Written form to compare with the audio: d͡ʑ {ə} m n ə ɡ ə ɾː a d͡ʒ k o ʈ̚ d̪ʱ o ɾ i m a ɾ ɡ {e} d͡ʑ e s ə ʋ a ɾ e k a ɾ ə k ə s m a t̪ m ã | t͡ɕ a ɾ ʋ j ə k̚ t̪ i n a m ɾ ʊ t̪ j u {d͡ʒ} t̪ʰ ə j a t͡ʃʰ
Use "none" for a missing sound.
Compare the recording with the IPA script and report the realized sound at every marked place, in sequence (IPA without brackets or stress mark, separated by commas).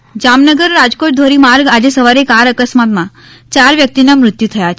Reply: a, a, none